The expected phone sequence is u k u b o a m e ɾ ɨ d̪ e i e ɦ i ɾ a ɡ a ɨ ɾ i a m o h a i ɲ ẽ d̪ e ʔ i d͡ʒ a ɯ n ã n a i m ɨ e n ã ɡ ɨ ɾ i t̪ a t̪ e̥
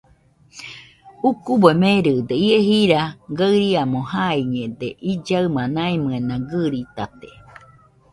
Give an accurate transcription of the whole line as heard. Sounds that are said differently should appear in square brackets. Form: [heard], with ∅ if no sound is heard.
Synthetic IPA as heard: u k u b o [e] m e ɾ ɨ d̪ e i e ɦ i ɾ a ɡ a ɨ ɾ i a m o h a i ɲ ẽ d̪ e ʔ i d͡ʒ a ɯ [m] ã n a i m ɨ e n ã ɡ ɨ ɾ i t̪ a t̪ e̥